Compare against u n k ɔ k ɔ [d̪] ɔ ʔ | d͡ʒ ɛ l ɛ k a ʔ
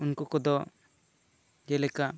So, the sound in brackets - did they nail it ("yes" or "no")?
yes